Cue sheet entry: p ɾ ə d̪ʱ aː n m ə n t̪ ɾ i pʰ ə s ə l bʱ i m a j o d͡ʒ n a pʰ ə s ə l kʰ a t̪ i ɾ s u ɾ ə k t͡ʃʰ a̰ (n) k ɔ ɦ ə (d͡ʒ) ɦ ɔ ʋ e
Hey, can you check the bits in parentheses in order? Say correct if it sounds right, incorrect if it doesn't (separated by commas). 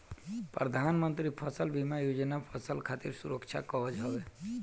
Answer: incorrect, correct